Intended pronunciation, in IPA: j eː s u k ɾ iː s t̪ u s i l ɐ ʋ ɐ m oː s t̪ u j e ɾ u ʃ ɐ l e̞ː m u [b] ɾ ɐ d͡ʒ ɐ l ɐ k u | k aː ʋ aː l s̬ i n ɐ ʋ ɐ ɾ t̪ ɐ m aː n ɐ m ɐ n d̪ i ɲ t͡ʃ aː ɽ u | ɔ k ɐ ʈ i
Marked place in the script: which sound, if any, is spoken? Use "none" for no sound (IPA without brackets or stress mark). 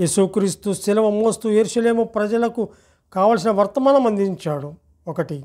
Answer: p